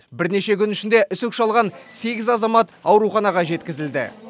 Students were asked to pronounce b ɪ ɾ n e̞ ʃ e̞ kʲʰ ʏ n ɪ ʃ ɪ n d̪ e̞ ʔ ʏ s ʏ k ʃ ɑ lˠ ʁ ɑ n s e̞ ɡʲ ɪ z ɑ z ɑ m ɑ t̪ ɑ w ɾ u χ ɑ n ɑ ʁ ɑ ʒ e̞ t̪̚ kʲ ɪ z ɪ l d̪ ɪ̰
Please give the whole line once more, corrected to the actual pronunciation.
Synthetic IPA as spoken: b ɪ ɾ n e̞ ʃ e̞ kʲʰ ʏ n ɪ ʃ ɪ n d̪ e̞ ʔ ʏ s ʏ k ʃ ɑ lˠ ʁ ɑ n s e̞ ɡʲ ɪ z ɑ z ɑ m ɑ t̪ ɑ w ɾ u χ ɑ n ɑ ʁ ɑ ʒ e̞ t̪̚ kʲ ɪ z ɪ l d̪ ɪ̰